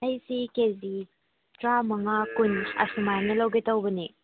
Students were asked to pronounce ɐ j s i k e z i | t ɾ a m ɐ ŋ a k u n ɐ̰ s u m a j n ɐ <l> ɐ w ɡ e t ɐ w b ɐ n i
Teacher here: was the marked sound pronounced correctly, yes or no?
yes